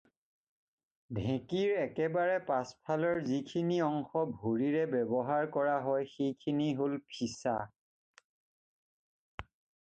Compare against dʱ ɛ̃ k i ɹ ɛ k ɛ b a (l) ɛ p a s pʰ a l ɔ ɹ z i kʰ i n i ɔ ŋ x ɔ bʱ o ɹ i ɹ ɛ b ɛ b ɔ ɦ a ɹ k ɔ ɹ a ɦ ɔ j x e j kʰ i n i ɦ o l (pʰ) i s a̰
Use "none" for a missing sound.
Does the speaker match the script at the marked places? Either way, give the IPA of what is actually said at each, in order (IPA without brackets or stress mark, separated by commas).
ɹ, pʰ